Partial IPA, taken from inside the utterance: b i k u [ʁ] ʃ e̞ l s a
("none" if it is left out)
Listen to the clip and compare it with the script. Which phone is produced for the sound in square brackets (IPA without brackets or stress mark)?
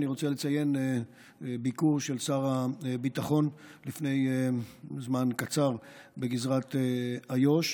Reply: ʁ